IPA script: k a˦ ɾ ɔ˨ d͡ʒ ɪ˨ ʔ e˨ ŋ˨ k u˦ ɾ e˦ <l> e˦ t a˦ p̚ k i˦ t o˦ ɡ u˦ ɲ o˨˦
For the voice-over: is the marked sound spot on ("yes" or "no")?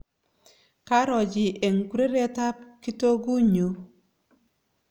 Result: no